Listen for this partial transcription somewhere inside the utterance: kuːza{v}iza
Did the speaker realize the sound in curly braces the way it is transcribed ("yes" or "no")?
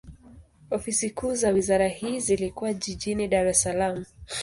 no